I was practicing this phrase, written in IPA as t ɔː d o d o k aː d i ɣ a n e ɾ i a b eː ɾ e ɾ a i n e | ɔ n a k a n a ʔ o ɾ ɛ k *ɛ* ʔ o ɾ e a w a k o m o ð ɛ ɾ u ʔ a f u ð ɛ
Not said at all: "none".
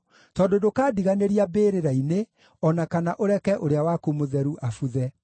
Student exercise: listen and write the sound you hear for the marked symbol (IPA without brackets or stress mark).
ɛ